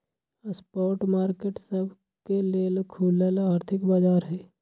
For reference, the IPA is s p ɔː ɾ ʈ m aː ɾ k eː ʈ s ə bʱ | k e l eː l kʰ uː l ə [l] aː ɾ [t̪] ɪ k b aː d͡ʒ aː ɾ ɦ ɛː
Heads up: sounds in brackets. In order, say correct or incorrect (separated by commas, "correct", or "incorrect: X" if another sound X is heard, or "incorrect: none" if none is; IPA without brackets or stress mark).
correct, incorrect: t̪ʰ